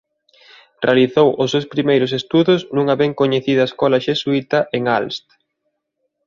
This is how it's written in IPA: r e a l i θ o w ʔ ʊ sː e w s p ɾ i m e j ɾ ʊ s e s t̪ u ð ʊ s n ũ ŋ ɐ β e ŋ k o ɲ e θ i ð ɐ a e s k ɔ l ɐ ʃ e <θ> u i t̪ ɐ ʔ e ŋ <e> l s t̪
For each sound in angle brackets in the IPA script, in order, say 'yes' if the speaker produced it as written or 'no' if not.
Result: no, no

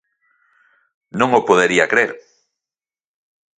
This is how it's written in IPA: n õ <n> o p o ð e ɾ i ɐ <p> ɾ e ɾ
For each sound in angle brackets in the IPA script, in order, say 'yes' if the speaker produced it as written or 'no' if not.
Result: no, no

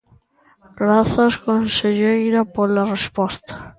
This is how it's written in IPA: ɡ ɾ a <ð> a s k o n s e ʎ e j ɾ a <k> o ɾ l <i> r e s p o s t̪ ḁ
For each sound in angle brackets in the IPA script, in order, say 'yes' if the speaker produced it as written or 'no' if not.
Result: no, no, no

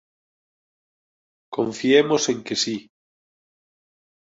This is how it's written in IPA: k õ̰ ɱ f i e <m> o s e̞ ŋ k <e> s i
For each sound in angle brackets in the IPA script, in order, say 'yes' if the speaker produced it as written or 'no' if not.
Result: yes, yes

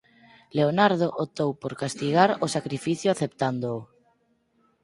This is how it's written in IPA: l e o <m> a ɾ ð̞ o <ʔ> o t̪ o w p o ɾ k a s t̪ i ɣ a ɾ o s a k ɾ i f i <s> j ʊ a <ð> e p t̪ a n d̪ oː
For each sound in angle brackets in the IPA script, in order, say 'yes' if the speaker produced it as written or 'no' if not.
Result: no, yes, no, no

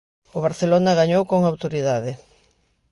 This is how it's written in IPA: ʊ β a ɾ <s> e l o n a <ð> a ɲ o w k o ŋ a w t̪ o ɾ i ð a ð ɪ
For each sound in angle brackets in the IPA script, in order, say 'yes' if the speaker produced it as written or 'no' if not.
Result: no, no

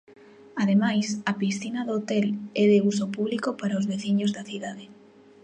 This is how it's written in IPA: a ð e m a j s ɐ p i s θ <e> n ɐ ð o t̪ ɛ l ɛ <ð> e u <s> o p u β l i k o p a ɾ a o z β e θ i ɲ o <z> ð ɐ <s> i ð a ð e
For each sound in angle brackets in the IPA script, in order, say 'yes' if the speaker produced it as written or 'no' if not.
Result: no, yes, yes, yes, no

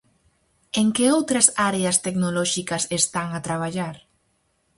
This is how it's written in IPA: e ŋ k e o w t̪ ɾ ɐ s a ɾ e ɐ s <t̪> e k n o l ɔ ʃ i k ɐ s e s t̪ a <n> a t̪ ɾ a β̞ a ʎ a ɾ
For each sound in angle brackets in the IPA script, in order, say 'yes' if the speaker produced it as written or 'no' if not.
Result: yes, no

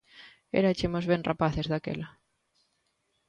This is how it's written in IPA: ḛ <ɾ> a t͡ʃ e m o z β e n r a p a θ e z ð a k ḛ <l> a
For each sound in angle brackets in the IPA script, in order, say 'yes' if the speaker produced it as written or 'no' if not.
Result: yes, yes

